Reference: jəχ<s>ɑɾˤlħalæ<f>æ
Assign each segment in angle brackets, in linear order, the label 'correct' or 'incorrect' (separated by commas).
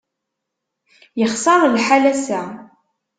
correct, incorrect